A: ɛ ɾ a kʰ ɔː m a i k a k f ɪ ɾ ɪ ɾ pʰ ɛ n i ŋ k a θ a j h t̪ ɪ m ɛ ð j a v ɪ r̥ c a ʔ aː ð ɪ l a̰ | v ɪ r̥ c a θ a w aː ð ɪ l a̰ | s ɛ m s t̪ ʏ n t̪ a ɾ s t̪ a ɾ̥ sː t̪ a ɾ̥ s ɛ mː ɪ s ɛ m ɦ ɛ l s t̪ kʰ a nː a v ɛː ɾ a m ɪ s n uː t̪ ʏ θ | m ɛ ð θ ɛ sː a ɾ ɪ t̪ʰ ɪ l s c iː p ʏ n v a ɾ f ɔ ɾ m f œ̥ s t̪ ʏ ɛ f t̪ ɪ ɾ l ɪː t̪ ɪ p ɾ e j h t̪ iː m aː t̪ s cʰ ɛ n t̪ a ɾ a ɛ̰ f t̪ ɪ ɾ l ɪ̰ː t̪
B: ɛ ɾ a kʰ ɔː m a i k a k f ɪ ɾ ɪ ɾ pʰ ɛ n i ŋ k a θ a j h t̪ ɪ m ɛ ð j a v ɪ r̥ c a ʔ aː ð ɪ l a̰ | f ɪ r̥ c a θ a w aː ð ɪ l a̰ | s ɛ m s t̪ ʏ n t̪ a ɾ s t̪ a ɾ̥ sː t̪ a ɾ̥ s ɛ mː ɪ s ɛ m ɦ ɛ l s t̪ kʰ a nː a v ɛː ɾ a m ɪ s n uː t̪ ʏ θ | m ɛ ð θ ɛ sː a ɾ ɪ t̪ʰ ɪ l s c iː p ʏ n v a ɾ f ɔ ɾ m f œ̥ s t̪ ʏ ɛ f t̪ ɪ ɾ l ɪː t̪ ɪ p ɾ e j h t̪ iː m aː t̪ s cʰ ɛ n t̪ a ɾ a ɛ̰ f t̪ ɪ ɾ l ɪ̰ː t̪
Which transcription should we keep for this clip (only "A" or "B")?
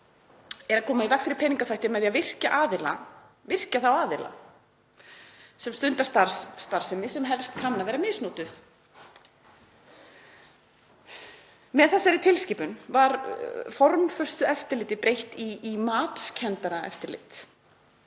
A